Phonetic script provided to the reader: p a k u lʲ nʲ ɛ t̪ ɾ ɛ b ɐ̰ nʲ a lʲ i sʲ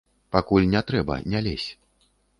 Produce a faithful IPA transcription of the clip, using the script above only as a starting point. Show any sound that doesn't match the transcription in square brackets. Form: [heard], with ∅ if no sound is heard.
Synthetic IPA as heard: p a k u lʲ nʲ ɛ t̪ ɾ ɛ b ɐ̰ nʲ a lʲ [e] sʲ